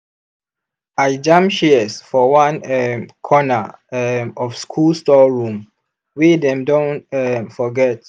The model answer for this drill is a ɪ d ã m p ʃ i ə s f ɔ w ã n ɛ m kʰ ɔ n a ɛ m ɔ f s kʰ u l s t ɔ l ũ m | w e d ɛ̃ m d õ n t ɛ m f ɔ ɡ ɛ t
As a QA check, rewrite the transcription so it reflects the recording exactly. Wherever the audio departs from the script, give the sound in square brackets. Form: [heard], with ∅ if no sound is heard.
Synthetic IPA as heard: a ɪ [d͡ʒ] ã m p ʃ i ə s f ɔ w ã n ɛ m kʰ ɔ n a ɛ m ɔ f s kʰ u l s t ɔ [ɹ] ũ m | w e d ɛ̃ m d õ n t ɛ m f ɔ ɡ ɛ t